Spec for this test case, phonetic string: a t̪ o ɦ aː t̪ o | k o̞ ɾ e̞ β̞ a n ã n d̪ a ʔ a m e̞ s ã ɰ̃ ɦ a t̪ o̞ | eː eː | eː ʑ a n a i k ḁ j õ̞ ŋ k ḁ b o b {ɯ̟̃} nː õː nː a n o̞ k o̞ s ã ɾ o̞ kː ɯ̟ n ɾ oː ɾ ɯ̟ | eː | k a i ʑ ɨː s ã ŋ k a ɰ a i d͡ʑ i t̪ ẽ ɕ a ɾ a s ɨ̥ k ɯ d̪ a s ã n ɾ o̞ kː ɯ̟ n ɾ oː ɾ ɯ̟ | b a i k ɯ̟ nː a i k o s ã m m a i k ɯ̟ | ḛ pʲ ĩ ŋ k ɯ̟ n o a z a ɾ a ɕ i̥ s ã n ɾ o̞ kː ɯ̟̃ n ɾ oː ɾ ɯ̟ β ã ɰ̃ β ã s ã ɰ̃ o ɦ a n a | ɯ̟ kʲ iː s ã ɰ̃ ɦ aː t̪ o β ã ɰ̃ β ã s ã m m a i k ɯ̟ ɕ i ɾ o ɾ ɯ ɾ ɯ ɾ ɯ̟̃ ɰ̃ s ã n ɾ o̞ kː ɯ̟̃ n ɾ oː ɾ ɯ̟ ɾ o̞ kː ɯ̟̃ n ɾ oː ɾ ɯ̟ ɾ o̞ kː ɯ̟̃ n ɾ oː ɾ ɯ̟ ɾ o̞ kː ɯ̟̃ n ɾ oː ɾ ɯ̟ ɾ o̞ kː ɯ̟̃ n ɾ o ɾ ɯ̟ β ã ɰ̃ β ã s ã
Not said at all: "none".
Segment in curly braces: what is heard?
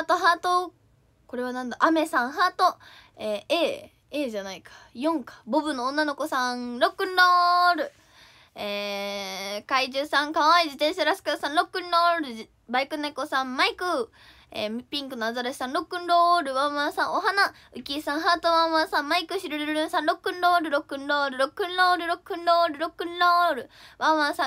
ɯ̟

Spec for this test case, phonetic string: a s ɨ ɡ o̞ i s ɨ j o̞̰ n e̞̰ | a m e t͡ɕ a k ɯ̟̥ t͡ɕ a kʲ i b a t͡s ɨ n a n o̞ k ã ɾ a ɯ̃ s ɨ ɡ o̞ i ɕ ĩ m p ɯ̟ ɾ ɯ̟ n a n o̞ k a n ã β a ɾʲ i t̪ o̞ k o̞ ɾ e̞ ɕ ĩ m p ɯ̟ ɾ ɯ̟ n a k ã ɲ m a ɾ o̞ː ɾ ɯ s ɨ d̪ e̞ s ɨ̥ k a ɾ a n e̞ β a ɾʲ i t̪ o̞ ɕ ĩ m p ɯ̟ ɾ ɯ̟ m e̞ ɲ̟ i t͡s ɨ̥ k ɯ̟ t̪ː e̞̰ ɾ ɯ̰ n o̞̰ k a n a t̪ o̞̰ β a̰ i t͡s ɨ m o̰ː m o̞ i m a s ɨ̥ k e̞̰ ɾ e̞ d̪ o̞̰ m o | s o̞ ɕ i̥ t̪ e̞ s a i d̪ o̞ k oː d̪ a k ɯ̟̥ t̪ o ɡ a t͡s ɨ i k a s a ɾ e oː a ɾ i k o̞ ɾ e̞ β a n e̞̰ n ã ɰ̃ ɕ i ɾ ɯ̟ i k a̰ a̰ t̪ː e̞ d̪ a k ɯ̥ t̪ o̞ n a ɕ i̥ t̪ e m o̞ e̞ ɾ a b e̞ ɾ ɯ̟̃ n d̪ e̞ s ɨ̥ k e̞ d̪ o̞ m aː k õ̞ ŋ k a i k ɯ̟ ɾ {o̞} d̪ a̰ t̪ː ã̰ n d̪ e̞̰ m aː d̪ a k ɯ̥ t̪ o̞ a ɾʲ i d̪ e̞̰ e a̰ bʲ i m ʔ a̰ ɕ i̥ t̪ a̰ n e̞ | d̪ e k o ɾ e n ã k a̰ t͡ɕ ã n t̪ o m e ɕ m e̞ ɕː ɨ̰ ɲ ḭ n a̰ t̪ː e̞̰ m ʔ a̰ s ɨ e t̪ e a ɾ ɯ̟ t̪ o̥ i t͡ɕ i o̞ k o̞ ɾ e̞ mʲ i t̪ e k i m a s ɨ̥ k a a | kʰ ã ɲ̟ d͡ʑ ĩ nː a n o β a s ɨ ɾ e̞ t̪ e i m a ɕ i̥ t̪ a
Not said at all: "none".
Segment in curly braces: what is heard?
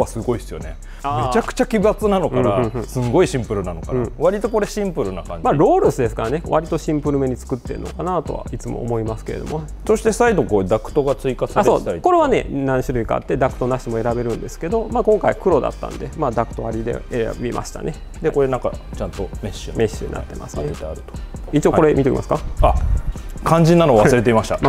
o̞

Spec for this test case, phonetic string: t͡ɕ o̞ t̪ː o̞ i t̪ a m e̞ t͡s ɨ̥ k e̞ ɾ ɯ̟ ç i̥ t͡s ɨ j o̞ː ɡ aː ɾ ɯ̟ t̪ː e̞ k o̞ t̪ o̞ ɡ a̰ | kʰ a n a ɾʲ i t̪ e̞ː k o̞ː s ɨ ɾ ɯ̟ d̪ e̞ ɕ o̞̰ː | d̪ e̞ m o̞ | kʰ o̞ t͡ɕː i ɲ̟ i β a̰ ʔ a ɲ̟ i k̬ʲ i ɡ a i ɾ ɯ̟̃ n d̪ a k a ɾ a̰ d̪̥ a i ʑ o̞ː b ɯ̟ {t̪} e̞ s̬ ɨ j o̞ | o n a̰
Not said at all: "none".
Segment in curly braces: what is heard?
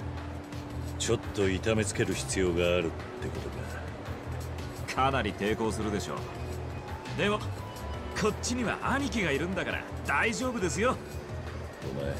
d̪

